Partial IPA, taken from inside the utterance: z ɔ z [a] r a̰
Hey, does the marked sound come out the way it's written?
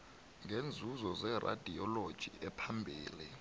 no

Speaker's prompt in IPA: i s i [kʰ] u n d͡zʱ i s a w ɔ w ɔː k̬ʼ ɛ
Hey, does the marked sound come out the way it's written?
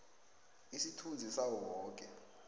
no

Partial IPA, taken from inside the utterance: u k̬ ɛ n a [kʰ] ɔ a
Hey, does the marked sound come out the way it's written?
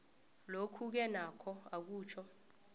yes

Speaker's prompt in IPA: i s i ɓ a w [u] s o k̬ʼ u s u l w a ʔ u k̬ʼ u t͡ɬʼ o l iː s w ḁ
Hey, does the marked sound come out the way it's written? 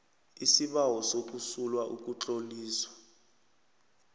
no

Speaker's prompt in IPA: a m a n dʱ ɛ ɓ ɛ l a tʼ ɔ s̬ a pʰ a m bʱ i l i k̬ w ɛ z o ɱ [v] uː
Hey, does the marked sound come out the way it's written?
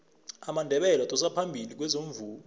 yes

